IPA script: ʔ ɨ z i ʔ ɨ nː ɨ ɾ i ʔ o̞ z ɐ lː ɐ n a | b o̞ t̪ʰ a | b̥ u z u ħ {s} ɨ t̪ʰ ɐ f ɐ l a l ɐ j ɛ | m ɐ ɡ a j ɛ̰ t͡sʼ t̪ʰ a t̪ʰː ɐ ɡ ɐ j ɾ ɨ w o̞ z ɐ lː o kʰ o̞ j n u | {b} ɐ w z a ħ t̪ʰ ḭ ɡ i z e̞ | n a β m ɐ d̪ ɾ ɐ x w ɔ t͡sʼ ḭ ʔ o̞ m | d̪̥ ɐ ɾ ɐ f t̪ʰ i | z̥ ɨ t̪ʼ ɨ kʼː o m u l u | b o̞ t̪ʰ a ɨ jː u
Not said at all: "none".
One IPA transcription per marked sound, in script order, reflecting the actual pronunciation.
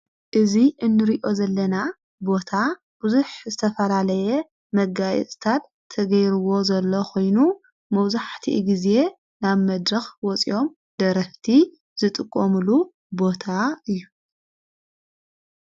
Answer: z, m

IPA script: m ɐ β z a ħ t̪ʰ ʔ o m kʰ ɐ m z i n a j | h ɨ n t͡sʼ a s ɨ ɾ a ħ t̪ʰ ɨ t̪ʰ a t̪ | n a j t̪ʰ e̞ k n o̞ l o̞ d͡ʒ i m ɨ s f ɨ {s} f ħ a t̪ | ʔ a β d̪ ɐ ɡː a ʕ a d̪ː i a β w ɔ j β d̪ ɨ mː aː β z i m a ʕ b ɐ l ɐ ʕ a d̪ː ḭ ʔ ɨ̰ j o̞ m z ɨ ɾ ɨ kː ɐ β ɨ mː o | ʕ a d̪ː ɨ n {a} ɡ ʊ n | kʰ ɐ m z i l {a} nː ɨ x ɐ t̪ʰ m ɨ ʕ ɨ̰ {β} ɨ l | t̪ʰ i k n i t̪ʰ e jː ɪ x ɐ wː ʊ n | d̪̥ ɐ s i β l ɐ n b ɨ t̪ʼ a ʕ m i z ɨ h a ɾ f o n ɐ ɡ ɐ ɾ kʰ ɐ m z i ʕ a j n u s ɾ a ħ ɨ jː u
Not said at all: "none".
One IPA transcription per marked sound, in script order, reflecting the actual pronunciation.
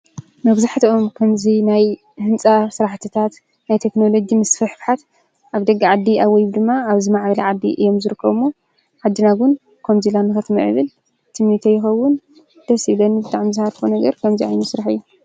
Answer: ħ, a, a, β

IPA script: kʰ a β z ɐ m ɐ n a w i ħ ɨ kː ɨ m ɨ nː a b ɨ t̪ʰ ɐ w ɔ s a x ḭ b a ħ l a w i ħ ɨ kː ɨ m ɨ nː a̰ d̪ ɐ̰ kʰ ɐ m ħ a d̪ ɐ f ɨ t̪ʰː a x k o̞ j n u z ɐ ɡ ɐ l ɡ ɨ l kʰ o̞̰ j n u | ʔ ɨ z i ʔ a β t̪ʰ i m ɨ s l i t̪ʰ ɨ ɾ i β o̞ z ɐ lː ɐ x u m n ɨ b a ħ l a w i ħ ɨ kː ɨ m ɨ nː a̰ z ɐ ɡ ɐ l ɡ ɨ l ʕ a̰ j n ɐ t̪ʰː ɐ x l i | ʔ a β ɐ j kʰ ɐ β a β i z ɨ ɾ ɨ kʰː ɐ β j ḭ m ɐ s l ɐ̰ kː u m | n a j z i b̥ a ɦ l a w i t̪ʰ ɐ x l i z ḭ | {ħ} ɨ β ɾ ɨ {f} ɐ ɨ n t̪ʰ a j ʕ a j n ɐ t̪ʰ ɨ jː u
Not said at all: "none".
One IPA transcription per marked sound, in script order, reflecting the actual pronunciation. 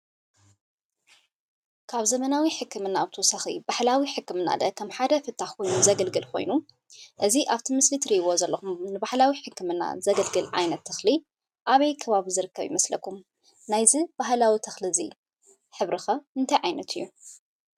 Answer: ħ, x

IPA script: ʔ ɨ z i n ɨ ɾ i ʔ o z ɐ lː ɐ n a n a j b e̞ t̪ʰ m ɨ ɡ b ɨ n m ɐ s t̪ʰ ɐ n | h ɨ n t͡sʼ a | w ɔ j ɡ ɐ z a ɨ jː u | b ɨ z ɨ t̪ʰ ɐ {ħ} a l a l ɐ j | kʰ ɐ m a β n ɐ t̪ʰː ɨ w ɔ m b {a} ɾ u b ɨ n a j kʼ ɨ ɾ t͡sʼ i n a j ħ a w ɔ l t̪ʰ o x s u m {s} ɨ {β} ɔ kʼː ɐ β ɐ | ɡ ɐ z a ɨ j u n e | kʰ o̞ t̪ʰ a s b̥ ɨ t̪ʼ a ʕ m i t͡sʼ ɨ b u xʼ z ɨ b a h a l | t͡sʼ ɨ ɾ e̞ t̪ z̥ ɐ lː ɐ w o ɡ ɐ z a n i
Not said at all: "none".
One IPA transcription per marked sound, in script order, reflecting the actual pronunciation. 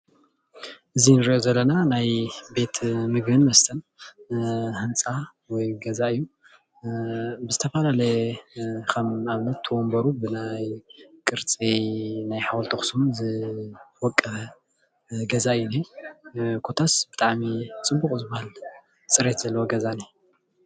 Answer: f, ɐ, z, w

